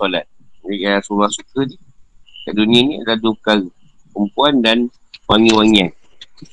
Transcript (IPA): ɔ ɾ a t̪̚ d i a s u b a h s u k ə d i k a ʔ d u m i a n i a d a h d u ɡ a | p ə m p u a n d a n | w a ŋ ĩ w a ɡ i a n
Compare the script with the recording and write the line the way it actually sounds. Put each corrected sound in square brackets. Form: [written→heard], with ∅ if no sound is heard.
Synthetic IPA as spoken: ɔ [ɾ→l] a t̪̚ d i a s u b a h s u k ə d i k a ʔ d u [m→n] i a n i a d a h d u [ɡ→k] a | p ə m p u a n d a n | w a ŋ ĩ w a [ɡ→ŋ] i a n